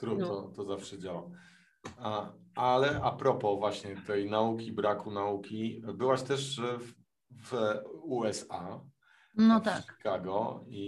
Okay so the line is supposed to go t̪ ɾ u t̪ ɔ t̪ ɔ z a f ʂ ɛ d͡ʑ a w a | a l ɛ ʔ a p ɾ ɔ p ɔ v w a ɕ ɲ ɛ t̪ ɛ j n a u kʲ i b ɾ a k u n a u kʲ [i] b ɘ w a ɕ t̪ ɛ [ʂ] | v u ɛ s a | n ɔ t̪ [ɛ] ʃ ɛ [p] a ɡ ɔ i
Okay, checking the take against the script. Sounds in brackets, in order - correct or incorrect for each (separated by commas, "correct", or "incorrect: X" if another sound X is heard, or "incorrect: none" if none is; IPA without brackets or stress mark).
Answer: correct, correct, incorrect: a, incorrect: k